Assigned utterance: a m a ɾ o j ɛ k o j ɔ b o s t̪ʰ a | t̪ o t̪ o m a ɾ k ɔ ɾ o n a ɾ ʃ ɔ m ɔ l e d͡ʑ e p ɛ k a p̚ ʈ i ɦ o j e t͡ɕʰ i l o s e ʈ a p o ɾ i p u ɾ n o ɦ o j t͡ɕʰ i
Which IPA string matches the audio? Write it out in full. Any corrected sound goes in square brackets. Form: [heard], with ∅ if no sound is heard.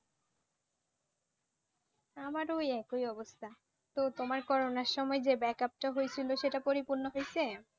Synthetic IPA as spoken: a m a ɾ o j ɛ k o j ɔ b o s t̪ʰ a | t̪ o t̪ o m a ɾ k ɔ ɾ o n a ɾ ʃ ɔ m ɔ [∅] e d͡ʑ e [b] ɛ k a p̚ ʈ [a] ɦ o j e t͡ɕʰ i l o [ʃ] e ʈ a p o ɾ i p u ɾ n o ɦ o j t͡ɕʰ [e]